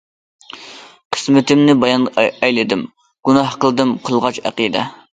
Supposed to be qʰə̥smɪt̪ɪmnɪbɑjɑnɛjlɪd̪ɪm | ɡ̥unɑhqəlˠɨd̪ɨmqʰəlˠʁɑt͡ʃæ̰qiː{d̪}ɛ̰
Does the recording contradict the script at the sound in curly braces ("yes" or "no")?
no